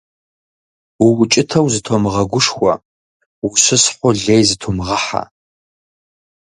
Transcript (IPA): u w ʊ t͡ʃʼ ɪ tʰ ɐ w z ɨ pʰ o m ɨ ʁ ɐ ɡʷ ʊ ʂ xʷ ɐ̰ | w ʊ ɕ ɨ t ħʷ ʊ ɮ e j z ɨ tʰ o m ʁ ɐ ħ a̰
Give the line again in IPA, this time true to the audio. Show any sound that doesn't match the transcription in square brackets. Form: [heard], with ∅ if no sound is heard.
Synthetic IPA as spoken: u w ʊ t͡ʃʼ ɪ tʰ ɐ w z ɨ [tʰ] o m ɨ ʁ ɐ ɡʷ ʊ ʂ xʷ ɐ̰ | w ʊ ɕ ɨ [s] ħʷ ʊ ɮ e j z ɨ tʰ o m ʁ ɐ ħ a̰